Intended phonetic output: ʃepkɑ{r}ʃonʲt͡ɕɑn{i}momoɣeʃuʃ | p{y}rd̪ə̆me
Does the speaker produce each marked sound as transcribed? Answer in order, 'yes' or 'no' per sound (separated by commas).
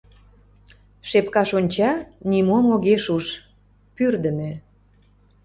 no, yes, yes